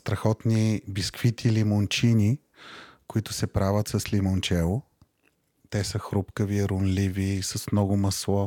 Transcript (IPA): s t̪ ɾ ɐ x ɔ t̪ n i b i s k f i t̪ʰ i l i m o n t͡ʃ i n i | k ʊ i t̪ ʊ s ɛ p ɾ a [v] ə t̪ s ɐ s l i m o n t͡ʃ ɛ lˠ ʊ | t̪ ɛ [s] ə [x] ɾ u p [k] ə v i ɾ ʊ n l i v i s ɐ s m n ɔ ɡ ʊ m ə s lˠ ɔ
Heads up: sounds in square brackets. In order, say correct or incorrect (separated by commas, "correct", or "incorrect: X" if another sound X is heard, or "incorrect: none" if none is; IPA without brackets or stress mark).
correct, correct, correct, correct